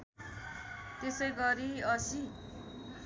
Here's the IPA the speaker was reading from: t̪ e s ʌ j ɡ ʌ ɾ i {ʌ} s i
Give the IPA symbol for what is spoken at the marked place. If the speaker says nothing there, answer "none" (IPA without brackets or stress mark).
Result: ʌ